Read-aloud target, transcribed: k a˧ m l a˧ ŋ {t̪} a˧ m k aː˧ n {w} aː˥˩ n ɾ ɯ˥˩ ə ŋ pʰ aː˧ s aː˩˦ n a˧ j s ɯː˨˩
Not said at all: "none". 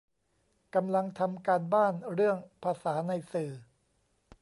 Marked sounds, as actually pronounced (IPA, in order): t̪ʰ, b

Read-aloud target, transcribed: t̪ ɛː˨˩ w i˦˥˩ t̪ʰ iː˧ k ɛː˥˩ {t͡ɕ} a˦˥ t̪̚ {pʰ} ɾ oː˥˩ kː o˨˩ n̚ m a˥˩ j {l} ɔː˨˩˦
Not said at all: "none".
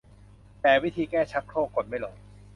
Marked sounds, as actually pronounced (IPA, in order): t͡ɕʰ, kʰ, l

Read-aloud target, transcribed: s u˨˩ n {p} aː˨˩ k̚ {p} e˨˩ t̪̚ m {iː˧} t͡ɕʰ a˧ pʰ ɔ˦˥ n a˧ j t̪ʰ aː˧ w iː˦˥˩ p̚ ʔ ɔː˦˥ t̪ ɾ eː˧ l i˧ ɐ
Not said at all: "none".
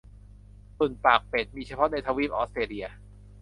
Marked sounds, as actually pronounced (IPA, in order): p, p, iː˧

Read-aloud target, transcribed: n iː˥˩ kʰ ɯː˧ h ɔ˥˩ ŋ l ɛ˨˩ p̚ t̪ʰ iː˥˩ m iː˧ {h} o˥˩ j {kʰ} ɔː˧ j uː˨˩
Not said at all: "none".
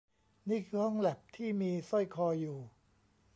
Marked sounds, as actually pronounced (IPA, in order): s, kʰ

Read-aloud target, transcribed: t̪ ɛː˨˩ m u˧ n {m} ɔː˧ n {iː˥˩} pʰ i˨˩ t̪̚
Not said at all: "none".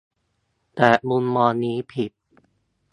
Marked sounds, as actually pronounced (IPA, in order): m, iː˦˥

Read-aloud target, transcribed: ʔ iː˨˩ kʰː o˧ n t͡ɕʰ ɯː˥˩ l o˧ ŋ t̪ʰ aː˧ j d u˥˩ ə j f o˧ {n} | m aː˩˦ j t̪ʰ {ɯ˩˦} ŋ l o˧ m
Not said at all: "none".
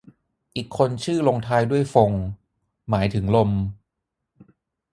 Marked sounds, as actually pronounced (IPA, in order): ŋ, ɯ˩˦

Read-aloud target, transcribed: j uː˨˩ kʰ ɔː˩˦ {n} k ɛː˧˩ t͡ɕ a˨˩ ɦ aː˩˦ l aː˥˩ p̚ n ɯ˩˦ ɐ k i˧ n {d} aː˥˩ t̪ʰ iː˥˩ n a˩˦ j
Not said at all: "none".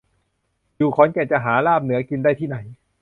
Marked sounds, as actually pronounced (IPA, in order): n, d

